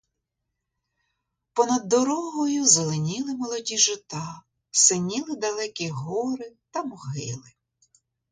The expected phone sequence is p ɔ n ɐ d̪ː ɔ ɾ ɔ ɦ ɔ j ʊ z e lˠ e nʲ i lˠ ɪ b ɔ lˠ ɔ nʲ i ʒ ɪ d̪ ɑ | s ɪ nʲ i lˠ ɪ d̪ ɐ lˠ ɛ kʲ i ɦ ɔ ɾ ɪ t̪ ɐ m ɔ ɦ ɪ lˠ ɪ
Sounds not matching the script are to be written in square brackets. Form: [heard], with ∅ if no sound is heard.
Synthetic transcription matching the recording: p ɔ n ɐ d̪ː ɔ ɾ ɔ ɦ ɔ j ʊ z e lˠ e nʲ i lˠ ɪ [m] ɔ lˠ ɔ [dʲ] i ʒ ɪ [t̪] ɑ | s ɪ nʲ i lˠ ɪ d̪ ɐ lˠ ɛ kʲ i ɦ ɔ ɾ ɪ t̪ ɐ m ɔ ɦ ɪ lˠ ɪ